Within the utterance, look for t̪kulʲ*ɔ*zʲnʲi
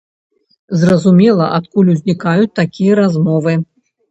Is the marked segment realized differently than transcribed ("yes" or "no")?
yes